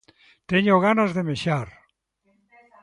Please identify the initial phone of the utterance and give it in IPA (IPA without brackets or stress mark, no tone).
t̪